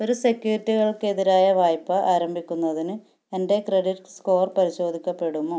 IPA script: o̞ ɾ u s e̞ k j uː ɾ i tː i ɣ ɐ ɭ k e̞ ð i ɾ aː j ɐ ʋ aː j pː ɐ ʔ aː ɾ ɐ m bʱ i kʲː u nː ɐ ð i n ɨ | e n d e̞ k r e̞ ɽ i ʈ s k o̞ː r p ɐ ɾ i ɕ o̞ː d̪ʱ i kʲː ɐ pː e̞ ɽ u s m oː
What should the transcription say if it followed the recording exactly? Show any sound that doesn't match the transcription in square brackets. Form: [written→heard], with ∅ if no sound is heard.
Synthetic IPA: o̞ ɾ u s e̞ k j uː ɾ i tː i ɣ ɐ ɭ k e̞ ð i ɾ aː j ɐ ʋ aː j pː ɐ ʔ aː ɾ ɐ m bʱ i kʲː u nː ɐ ð i n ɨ | e n d e̞ k r e̞ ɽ i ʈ s k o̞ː r p ɐ ɾ i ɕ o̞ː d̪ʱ i kʲː ɐ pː e̞ ɽ u [s→∅] m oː

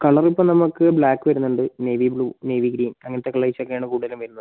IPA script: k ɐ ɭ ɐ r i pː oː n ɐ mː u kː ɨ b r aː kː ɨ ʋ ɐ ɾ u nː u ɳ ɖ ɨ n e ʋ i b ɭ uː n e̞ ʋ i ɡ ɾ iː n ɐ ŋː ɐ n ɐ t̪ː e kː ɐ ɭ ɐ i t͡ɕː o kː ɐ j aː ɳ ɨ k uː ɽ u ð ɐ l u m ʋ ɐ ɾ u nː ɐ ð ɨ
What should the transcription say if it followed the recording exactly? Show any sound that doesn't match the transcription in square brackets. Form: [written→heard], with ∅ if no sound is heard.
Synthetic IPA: k ɐ ɭ ɐ r i pː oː n ɐ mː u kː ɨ b [r→ɭ] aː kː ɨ ʋ ɐ ɾ u nː u ɳ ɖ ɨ n e ʋ i b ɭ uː n e̞ ʋ i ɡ ɾ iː n ɐ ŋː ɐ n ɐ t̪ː e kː ɐ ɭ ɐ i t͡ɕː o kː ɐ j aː ɳ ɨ k uː ɽ u ð ɐ l u m ʋ ɐ ɾ u nː ɐ ð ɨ

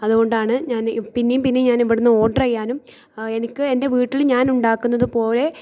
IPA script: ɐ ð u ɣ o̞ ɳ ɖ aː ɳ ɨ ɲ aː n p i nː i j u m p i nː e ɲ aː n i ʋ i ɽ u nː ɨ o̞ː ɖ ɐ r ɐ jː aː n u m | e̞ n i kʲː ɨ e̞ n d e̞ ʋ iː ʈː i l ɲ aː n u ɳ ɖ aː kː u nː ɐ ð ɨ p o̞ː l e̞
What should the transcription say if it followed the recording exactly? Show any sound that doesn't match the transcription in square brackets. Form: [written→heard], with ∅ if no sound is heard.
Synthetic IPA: ɐ ð u ɣ o̞ ɳ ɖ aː ɳ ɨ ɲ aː n p i nː [i→e] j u m p i nː e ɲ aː n i ʋ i ɽ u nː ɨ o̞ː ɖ ɐ r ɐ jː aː n u m | e̞ n i kʲː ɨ e̞ n d e̞ ʋ iː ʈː i l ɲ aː n u ɳ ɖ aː kː u nː ɐ ð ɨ p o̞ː l e̞

